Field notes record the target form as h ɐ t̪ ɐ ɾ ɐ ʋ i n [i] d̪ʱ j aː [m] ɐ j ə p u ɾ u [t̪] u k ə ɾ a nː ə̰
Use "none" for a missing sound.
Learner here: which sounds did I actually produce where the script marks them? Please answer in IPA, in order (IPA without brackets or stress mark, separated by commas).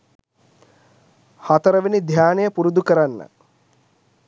i, n, d̪